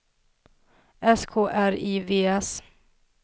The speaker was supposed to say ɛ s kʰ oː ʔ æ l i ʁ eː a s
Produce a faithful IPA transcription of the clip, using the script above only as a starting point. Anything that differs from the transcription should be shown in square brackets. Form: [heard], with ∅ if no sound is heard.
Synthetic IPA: ɛ s kʰ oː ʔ æ [ɾ] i [v] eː [ɛ] s

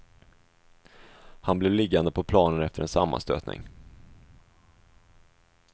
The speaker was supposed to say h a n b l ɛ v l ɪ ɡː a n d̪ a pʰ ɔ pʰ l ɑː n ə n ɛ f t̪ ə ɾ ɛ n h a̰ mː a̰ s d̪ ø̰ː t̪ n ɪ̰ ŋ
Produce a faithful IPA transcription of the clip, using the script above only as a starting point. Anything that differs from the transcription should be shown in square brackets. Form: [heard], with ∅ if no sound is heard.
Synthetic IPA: h a n b l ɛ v l ɪ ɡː a n d̪ [ə] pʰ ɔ pʰ l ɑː n ə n ɛ f t̪ ə ɾ ɛ n [s] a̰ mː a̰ s [t̪] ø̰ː t̪ n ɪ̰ ŋ

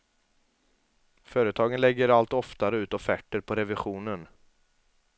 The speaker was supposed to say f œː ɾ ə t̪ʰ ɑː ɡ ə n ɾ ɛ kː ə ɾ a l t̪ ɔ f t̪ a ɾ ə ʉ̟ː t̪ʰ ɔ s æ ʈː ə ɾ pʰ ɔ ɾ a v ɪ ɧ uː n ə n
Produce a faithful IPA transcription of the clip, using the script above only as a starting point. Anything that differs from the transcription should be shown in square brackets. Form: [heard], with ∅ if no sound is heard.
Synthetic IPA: f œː ɾ ə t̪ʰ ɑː ɡ ə n [l] ɛ [ɡː] ə ɾ a l t̪ ɔ f t̪ a ɾ ə ʉ̟ː [t̪] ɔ [f] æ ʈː ə ɾ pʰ ɔ ɾ [ɛ] v ɪ ɧ uː n ə n

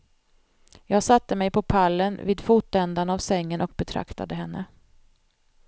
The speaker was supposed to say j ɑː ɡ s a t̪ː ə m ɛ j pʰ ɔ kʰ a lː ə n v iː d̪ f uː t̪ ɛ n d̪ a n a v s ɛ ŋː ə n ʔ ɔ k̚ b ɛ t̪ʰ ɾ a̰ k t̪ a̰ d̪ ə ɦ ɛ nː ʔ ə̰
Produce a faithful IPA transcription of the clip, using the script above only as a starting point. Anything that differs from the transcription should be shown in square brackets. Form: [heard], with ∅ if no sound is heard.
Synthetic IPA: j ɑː ɡ s a t̪ː ə m ɛ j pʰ ɔ [pʰ] a lː ə n v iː d̪ f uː t̪ ɛ n d̪ a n a v s ɛ ŋː ə n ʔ ɔ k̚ b ɛ t̪ʰ ɾ a̰ k t̪ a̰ d̪ ə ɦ ɛ nː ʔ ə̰

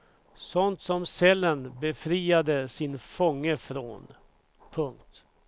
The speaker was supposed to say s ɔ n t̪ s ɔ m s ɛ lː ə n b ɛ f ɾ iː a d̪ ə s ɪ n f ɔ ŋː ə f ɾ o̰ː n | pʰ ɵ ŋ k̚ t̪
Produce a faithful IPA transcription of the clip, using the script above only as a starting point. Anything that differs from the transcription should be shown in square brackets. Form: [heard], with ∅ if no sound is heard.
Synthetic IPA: s ɔ n t̪ s ɔ m s ɛ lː ə n b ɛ f ɾ iː a d̪ ə s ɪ n f ɔ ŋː ə f ɾ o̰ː n | pʰ ɵ ŋ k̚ t̪

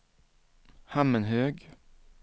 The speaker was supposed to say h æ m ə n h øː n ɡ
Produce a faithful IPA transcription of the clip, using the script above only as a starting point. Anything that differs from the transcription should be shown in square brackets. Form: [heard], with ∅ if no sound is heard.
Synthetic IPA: h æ m ə n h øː [∅] ɡ

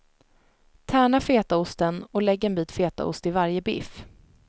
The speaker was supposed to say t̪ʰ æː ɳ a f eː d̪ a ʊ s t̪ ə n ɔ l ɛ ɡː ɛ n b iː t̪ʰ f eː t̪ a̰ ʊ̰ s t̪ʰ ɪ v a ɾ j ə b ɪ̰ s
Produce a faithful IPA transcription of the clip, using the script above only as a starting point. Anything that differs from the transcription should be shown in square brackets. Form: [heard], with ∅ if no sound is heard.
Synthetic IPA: t̪ʰ æː ɳ a f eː [t̪] a ʊ s t̪ ə n ɔ l ɛ ɡː ɛ n b iː [t̪] f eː t̪ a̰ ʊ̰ s [t̪] ɪ v a ɾ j ə b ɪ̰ [f]

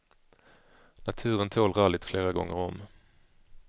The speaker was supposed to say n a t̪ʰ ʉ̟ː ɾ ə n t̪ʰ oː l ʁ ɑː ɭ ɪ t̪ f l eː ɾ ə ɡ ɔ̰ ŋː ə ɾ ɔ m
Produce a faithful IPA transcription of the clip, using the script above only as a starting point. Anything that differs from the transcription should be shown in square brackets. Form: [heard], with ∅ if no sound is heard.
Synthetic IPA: n a t̪ʰ ʉ̟ː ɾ ə n t̪ʰ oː l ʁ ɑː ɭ ɪ t̪ f l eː ɾ [a] ɡ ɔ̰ ŋː ə ɾ ɔ m

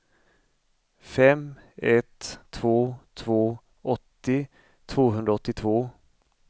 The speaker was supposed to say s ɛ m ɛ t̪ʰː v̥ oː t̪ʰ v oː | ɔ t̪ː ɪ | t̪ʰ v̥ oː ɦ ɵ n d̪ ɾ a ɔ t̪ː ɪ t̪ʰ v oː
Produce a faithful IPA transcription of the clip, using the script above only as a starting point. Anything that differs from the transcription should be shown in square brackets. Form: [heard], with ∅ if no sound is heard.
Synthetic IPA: [f] ɛ m ɛ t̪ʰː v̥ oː t̪ʰ v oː | ɔ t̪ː ɪ | t̪ʰ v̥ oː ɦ ɵ n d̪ ɾ a ɔ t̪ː ɪ t̪ʰ v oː

